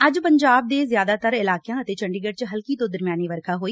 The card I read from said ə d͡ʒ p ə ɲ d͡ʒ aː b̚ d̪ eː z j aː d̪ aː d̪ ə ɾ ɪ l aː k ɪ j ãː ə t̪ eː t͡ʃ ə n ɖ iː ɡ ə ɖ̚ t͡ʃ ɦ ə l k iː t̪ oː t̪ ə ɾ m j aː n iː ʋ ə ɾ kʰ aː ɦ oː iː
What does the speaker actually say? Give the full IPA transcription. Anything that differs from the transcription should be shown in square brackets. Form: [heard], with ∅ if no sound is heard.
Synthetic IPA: ə d͡ʒ p ə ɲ d͡ʒ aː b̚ d̪ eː z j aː d̪ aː [t̪] ə ɾ ɪ l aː k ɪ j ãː ə t̪ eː t͡ʃ ə [ɳ] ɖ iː ɡ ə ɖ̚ t͡ʃ ɦ ə l k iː t̪ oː [d̪] ə ɾ m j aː n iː ʋ ə ɾ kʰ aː ɦ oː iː

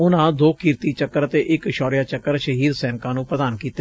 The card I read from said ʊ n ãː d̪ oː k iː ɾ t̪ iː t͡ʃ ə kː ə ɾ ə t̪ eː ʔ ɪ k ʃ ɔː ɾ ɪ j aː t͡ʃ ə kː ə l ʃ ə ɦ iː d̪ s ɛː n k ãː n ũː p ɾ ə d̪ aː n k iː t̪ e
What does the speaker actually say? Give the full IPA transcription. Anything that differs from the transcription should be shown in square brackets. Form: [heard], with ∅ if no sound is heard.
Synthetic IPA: ʊ n ãː d̪ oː k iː ɾ t̪ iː t͡ʃ ə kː ə ɾ ə t̪ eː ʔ ɪ k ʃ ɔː ɾ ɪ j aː t͡ʃ ə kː ə [ɾ] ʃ ə ɦ iː d̪ s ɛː n k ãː n ũː p ɾ ə d̪ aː n k iː t̪ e

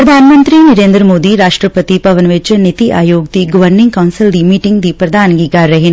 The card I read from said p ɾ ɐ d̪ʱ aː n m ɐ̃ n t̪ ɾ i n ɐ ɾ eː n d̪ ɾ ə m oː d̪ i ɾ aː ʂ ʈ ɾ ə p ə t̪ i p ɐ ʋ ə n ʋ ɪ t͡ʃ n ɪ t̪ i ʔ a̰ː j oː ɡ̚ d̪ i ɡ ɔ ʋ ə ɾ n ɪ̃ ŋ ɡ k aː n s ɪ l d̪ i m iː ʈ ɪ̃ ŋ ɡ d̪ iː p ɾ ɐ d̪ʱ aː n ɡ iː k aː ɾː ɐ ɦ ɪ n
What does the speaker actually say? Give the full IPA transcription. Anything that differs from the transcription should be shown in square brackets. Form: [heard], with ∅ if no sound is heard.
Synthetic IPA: p ɾ ɐ d̪ʱ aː n m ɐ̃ n t̪ ɾ i n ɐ ɾ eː n d̪ ɾ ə m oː d̪ i ɾ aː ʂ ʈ ɾ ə p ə t̪ i p ɐ ʋ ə n ʋ ɪ t͡ʃ n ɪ t̪ i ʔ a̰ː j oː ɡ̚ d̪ i ɡ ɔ ʋ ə ɾ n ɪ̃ ŋ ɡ k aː n s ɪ l d̪ i m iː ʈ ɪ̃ ŋ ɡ d̪ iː p ɾ ɐ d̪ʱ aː n ɡ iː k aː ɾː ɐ ɦ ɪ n

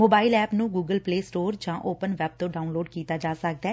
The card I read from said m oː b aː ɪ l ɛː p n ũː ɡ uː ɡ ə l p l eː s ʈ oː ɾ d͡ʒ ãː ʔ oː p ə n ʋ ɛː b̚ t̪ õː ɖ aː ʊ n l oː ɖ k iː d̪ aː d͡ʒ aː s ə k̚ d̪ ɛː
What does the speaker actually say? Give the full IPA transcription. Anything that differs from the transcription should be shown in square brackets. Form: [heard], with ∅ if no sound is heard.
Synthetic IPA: m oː b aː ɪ l ɛː p n ũː ɡ uː ɡ ə l p l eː s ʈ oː ɾ d͡ʒ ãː ʔ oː p ə n ʋ ɛː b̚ t̪ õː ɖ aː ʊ n l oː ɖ k iː [t̪] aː d͡ʒ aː s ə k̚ d̪ ɛː

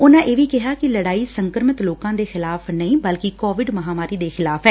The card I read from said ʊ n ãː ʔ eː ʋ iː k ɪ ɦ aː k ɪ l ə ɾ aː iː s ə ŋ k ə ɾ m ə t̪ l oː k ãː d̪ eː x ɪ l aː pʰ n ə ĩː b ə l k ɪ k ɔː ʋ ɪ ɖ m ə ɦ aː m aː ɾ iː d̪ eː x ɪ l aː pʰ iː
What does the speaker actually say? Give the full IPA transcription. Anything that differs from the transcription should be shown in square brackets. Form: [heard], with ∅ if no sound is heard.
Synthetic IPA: ʊ n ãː ʔ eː ʋ iː k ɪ ɦ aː k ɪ l ə [ɽ] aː iː s ə ŋ k ə ɾ m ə t̪ l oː k ãː d̪ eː x ɪ l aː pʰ n ə ĩː b ə l k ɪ k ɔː ʋ ɪ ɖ m ə ɦ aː m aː ɾ iː d̪ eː x ɪ l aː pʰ [ɛː]

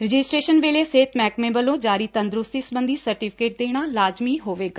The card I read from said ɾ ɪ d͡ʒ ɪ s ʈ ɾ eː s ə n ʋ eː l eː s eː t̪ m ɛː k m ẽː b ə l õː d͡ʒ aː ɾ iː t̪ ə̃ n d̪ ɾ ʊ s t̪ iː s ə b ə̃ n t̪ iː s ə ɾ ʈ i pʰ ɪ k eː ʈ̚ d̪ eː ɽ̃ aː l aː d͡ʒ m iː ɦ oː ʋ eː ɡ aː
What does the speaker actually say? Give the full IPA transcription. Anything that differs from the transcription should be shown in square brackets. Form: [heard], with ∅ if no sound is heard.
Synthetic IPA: ɾ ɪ d͡ʒ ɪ s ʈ ɾ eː [ʃ] ə n ʋ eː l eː s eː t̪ m ɛː k m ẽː b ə l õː d͡ʒ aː ɾ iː t̪ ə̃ n d̪ ɾ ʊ s t̪ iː s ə b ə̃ n [d̪] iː s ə ɾ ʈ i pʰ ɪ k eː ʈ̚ d̪ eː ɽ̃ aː l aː d͡ʒ m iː ɦ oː ʋ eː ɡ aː

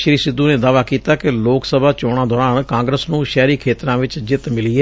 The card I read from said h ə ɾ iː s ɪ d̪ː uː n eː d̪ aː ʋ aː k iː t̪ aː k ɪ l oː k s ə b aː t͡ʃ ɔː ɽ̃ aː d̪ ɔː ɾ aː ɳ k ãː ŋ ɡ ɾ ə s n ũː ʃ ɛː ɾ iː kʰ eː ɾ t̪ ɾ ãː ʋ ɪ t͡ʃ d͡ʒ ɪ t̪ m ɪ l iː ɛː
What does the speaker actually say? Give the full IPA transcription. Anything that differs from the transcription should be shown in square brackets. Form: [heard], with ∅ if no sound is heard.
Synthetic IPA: [ʃ] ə ɾ iː s ɪ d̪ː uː n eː d̪ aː ʋ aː k iː t̪ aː k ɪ l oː k s ə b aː t͡ʃ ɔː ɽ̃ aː d̪ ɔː ɾ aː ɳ k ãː ŋ ɡ ɾ ə s n ũː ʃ ɛː ɾ iː kʰ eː [∅] t̪ ɾ ãː ʋ ɪ t͡ʃ d͡ʒ ɪ t̪ m ɪ l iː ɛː

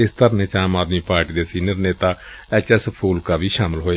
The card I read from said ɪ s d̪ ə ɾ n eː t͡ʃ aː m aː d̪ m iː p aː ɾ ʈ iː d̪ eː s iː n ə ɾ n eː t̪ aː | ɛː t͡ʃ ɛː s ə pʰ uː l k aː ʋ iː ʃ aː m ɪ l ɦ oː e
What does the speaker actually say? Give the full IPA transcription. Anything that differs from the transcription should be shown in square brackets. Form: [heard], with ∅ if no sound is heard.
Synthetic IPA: ɪ s [t̪] ə ɾ n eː t͡ʃ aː m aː d̪ m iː p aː ɾ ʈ iː d̪ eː s iː n ə ɾ n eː t̪ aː | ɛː t͡ʃ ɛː s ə pʰ uː l k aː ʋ iː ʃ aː m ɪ l ɦ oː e

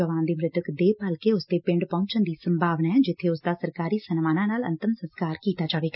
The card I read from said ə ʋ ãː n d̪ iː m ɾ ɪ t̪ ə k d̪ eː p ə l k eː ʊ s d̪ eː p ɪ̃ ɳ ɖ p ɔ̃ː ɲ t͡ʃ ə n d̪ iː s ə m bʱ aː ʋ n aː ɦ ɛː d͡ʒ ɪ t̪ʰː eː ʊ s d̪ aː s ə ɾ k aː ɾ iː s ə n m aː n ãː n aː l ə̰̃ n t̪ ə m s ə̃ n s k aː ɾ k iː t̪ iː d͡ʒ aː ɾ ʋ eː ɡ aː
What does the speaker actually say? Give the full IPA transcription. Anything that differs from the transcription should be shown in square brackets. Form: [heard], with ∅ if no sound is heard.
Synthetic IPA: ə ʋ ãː n d̪ iː m ɾ ɪ t̪ ə k d̪ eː p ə l k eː ʊ s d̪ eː p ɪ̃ ɳ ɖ p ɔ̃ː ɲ t͡ʃ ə n d̪ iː s ə m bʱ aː ʋ n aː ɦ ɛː d͡ʒ ɪ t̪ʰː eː ʊ s d̪ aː s ə ɾ k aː ɾ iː s ə n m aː n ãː n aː l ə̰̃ n t̪ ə m s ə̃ n s k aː ɾ k iː t̪ [aː] d͡ʒ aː [∅] ʋ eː ɡ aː

